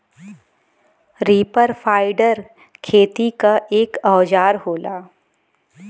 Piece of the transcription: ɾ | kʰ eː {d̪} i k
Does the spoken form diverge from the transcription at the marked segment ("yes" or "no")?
yes